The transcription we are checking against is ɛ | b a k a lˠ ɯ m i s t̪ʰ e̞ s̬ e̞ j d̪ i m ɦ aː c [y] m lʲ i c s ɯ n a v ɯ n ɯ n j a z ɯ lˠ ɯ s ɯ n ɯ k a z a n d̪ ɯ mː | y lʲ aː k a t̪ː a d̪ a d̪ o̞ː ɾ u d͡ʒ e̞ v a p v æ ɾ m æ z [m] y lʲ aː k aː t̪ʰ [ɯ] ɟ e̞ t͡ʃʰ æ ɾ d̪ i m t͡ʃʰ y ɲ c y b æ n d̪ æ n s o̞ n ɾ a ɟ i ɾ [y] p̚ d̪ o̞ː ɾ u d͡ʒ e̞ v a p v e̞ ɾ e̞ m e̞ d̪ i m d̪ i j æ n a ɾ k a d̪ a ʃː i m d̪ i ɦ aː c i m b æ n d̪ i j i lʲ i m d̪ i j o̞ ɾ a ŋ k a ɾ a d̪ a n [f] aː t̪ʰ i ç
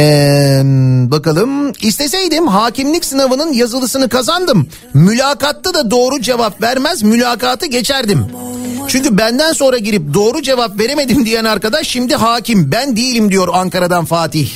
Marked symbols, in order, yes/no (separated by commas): no, yes, yes, no, yes